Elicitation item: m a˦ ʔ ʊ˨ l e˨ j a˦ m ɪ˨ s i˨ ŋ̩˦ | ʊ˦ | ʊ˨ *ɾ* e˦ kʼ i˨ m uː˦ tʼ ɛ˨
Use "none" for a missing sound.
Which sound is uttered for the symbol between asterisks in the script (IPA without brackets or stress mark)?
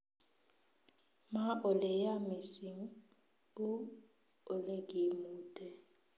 l